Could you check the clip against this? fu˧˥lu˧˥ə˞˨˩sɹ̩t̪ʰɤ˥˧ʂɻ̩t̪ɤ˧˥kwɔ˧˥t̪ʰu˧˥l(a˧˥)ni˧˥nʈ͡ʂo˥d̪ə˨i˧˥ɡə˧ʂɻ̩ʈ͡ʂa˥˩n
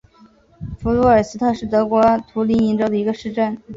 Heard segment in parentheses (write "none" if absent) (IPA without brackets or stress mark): i˧˥